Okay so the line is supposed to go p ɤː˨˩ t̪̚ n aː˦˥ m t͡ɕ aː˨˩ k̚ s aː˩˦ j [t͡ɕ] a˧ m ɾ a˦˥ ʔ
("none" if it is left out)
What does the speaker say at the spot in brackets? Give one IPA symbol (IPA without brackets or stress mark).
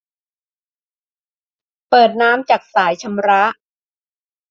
t͡ɕʰ